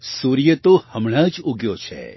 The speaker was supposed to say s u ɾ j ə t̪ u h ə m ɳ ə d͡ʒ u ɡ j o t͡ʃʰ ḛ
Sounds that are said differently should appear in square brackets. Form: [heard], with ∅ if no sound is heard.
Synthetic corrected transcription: s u ɾ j ə t̪ [o] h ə m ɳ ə d͡ʒ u ɡ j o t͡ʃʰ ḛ

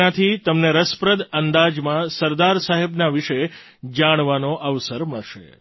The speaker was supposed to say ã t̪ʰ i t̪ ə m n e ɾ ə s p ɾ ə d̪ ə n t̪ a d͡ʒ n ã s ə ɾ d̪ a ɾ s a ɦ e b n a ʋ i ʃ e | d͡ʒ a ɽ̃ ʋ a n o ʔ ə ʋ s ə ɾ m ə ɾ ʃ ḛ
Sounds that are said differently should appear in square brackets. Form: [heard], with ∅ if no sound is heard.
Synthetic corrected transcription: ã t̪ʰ i t̪ ə m n e ɾ ə s p ɾ ə d̪ ə n [d̪] a d͡ʒ [m] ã s ə ɾ d̪ a ɾ s a ɦ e b n a ʋ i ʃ e | d͡ʒ a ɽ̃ ʋ a n o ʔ ə ʋ s ə ɾ m ə [ɭ] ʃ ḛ

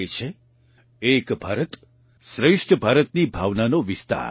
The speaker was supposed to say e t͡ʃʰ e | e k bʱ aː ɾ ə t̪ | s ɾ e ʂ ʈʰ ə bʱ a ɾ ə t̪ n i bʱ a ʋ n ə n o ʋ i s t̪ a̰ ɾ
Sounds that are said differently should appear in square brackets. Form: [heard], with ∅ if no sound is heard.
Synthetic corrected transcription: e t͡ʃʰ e | e k bʱ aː ɾ ə t̪ | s ɾ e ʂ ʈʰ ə bʱ a ɾ ə t̪ n i bʱ a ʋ n [a] n o ʋ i s t̪ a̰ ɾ

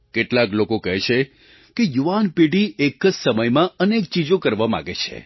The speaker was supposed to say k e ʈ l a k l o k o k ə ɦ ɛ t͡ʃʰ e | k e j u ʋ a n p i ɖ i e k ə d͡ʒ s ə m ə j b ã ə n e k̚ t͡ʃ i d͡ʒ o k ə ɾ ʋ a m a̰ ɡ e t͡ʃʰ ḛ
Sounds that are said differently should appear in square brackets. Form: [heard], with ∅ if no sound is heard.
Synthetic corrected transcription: k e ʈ l a k l o k o k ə ɦ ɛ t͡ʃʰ e | k e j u ʋ a n p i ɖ i e k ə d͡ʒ s ə m ə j [m] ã ə n e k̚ t͡ʃ i d͡ʒ o k ə ɾ ʋ a m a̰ ɡ e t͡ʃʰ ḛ

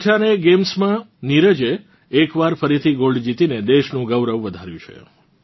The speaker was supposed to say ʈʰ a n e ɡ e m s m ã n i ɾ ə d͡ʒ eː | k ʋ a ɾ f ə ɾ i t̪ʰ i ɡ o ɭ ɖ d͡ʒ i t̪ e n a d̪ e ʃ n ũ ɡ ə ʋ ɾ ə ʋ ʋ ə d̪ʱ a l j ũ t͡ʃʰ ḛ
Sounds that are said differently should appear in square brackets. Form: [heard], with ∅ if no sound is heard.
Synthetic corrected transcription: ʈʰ a n e ɡ e m s m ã n i ɾ ə d͡ʒ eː | k ʋ a ɾ f ə ɾ i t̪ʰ i ɡ o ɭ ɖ d͡ʒ i t̪ [i] n [e] d̪ e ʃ n ũ ɡ ə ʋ ɾ ə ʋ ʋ ə d̪ʱ a [ɾ] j ũ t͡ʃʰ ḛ

